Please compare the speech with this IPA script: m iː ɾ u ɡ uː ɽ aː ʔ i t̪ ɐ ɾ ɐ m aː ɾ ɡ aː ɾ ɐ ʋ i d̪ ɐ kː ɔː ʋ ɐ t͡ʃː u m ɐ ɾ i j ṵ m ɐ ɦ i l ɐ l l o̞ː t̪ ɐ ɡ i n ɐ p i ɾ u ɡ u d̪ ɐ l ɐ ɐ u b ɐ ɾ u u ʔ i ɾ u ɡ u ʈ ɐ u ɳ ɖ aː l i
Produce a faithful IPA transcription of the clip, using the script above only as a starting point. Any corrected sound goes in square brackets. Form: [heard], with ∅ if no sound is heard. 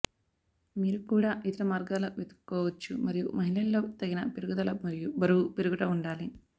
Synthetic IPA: m iː ɾ u [k] uː ɽ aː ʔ i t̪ ɐ ɾ ɐ m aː ɾ ɡ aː [l] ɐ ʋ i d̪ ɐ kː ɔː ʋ ɐ t͡ʃː u m ɐ ɾ i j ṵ m ɐ ɦ i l ɐ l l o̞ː t̪ ɐ ɡ i n ɐ p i ɾ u ɡ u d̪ ɐ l ɐ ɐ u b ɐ ɾ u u [p] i ɾ u ɡ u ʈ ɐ u ɳ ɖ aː l i

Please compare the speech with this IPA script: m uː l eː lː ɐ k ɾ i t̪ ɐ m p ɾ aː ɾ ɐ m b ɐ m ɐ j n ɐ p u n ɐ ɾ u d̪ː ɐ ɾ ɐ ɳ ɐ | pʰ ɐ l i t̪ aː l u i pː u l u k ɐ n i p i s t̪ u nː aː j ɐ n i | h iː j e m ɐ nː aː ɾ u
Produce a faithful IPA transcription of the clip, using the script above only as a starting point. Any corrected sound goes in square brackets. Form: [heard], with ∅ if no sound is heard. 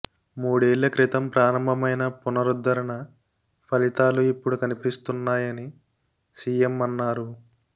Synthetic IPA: m uː [ɽ] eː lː ɐ k ɾ i t̪ ɐ m p ɾ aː ɾ ɐ m b ɐ m ɐ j n ɐ p u n ɐ ɾ u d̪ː ɐ ɾ ɐ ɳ ɐ | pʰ ɐ l i t̪ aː l u i pː u [ɽ] u k ɐ n i p i s t̪ u nː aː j ɐ n i | [s] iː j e m ɐ nː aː ɾ u

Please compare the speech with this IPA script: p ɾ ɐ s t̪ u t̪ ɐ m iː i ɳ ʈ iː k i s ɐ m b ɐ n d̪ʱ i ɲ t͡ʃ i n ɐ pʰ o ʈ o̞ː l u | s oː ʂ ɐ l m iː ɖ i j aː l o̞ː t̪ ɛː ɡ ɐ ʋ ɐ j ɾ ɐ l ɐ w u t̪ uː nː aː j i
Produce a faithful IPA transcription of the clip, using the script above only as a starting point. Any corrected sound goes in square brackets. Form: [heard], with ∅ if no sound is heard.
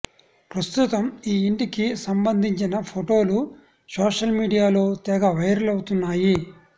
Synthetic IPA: p ɾ ɐ s t̪ u t̪ ɐ m iː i ɳ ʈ [i] k i s ɐ m b ɐ n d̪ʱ i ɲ t͡ʃ i n ɐ pʰ o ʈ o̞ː l u | s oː ʂ ɐ l m iː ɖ i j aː l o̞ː t̪ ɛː ɡ ɐ ʋ ɐ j ɾ ɐ l ɐ w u t̪ [u] nː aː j i

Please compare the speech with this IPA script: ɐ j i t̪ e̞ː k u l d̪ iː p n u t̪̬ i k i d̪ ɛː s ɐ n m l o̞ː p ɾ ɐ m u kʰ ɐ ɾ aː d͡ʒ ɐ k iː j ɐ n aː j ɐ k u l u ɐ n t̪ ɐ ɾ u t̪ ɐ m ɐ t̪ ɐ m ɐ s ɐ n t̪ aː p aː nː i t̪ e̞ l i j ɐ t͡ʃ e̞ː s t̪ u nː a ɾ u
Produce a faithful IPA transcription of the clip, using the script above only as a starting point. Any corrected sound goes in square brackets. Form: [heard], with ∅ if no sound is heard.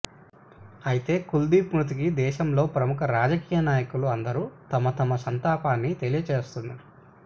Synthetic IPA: ɐ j i t̪ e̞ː k u l d̪ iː p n u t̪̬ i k i d̪ ɛː [ʃ] ɐ [∅] m l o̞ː p ɾ ɐ m u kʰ ɐ ɾ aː d͡ʒ ɐ k iː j ɐ n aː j ɐ k u l u ɐ n [d̪] ɐ ɾ u t̪ ɐ m ɐ t̪ ɐ m ɐ s ɐ n t̪ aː p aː nː i t̪ e̞ l i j ɐ t͡ʃ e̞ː s t̪ u nː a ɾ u

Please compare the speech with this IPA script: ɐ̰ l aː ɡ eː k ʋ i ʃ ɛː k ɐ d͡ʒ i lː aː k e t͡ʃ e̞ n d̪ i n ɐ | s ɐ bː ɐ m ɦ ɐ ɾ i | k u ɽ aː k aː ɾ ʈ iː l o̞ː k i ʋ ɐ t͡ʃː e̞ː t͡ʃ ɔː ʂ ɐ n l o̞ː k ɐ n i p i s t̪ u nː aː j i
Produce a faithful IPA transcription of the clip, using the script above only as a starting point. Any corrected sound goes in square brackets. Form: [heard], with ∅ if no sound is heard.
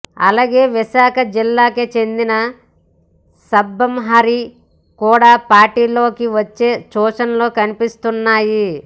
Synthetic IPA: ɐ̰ l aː ɡ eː [∅] ʋ i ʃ [aː] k ɐ d͡ʒ i lː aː k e t͡ʃ e̞ n d̪ i n ɐ | s ɐ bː ɐ m ɦ ɐ ɾ i | k [uː] ɽ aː [p] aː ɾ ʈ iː l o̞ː k i ʋ ɐ t͡ʃː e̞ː t͡ʃ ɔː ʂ ɐ n l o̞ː k ɐ n i p i s t̪ u nː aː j i

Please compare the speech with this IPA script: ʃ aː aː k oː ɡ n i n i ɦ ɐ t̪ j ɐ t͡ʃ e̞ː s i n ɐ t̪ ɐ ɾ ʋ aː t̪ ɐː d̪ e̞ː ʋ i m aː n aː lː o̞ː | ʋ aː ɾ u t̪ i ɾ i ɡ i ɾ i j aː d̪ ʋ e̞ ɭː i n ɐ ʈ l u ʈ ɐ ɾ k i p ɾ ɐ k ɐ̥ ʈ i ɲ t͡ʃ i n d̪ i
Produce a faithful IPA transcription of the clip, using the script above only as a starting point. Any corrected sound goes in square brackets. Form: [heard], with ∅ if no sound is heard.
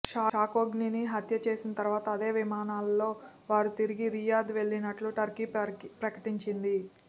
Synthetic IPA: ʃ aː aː k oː ɡ n i n i ɦ ɐ t̪ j ɐ t͡ʃ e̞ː s i n ɐ t̪ ɐ ɾ ʋ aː t̪ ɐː d̪ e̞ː ʋ i m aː n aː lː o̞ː | ʋ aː ɾ u t̪ i ɾ i ɡ i ɾ i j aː d̪ ʋ e̞ ɭː i n ɐ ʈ l u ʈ ɐ ɾ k i p ɾ ɐ k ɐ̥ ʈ i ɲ t͡ʃ i n d̪ i

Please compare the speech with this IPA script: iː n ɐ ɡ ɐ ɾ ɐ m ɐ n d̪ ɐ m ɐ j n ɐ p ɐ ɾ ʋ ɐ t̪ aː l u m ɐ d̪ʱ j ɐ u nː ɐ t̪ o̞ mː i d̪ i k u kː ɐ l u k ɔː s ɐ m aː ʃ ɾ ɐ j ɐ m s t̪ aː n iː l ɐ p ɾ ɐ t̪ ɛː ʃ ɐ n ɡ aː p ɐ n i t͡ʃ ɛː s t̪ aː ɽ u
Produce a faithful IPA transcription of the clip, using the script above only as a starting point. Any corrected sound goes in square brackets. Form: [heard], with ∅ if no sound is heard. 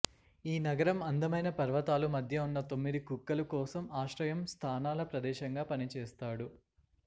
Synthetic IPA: iː n ɐ ɡ ɐ ɾ ɐ m ɐ n d̪ ɐ m ɐ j n ɐ p ɐ ɾ ʋ ɐ t̪ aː l u m ɐ d̪ʱ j ɐ u nː ɐ t̪ o̞ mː i d̪ i k u kː ɐ l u k ɔː s ɐ m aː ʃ ɾ ɐ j ɐ m s [t̪ʰ] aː n [aː] l ɐ p ɾ ɐ [d̪] ɛː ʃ ɐ [ŋ] ɡ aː p ɐ n i t͡ʃ ɛː s t̪ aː ɽ u

